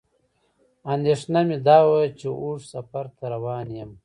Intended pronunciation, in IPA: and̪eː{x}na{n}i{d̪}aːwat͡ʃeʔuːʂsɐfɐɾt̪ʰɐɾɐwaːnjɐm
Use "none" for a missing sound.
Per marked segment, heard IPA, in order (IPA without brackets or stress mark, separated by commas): ʂ, m, d̪